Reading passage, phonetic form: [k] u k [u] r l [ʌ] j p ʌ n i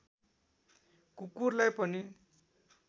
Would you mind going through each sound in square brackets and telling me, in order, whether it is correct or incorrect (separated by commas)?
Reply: correct, correct, incorrect